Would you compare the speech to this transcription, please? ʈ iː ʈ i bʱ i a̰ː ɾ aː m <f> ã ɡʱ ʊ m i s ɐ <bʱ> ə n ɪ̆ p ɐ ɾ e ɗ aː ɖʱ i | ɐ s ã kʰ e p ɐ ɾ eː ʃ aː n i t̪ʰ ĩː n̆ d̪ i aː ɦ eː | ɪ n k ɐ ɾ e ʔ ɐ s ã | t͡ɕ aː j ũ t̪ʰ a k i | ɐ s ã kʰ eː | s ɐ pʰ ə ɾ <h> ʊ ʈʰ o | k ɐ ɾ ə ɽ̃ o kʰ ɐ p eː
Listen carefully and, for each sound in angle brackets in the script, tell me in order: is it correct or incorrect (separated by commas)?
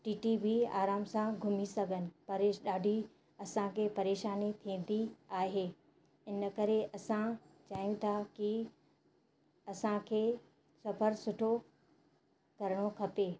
incorrect, incorrect, incorrect